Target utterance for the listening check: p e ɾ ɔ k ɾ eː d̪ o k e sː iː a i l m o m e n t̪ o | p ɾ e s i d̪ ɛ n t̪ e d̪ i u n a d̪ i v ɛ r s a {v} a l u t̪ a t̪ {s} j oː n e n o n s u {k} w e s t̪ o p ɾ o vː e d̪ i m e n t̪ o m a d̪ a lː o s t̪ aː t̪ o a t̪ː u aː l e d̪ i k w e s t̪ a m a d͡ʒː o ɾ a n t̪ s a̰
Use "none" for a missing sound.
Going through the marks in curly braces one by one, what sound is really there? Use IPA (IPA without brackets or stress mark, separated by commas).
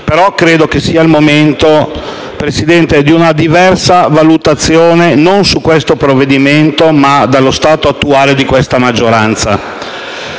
v, sː, k